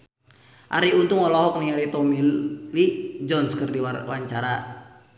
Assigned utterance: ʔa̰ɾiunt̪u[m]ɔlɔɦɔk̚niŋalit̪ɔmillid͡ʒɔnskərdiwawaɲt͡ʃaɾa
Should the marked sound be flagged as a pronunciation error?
yes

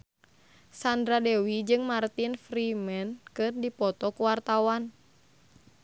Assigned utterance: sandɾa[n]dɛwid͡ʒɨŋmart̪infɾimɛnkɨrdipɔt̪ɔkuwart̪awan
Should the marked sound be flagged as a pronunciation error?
yes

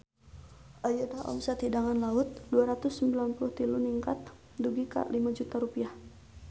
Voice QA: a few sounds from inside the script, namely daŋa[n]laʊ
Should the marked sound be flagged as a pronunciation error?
no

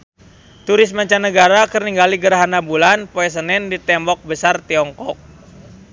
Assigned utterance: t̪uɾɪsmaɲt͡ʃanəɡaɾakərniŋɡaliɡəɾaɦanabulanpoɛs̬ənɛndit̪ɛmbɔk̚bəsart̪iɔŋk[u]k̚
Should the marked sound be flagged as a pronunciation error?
yes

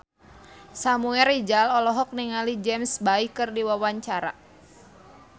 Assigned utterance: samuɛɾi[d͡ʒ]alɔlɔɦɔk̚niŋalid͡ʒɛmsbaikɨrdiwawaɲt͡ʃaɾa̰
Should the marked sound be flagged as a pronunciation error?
no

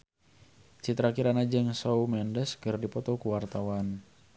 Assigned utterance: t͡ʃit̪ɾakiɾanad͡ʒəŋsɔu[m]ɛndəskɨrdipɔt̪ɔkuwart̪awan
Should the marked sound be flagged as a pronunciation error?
no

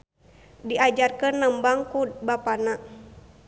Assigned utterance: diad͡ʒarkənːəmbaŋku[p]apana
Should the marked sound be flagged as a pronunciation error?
yes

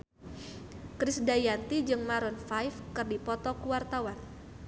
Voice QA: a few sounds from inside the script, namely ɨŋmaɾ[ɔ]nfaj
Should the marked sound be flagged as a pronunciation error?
no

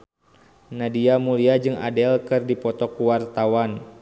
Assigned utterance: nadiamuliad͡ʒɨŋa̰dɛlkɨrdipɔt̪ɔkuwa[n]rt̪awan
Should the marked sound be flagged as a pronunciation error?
yes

